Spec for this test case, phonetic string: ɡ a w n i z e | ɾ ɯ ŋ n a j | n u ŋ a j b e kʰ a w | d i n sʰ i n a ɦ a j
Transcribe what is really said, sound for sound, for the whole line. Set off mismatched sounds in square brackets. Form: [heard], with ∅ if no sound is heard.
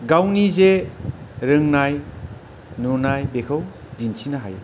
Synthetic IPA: ɡ a w n i z e | ɾ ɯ ŋ n a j | n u [n] a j b e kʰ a w | d i n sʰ i n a ɦ a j